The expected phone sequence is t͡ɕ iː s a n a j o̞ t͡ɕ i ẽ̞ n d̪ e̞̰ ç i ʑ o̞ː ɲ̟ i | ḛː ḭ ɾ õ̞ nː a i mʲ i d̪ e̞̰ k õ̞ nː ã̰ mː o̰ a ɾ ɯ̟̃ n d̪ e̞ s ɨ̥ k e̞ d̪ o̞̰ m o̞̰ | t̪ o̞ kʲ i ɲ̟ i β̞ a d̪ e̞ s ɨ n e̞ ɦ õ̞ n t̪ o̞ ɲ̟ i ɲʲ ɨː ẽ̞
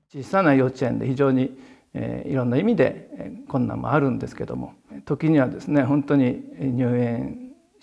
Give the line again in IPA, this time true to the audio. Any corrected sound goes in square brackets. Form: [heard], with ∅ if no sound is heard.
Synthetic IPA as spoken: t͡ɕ iː s a n a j o̞ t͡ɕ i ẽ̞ n d̪ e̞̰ ç i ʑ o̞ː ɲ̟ i | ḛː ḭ ɾ õ̞ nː a i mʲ i d̪ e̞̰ k õ̞ nː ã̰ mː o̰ a ɾ ɯ̟̃ n d̪ e̞ s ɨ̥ k e̞ d̪ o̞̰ m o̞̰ | t̪ o̞ kʲ i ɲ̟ i β̞ a d̪ e̞ s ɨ n e̞ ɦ õ̞ n t̪ o̞ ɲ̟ i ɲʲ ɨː ẽ̞